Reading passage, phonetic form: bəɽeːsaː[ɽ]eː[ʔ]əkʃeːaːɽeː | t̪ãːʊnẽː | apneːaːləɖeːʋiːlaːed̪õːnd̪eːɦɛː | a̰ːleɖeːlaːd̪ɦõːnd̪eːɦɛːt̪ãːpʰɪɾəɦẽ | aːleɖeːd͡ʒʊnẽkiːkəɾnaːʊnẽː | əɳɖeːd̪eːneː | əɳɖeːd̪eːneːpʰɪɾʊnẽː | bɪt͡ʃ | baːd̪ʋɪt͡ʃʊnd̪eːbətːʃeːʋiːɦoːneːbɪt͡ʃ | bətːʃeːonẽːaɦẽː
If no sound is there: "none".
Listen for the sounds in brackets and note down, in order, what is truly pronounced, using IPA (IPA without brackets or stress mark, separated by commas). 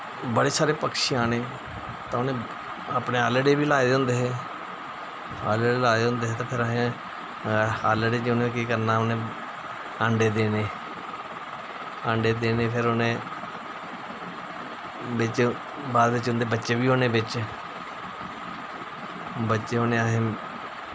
ɾ, p